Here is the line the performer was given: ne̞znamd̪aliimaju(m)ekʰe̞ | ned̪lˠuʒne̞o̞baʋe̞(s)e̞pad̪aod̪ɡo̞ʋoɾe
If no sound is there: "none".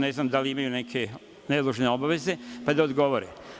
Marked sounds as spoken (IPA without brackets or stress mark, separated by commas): n, z